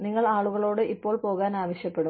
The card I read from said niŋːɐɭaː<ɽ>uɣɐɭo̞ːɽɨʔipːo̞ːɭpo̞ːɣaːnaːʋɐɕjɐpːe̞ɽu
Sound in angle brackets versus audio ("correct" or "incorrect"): incorrect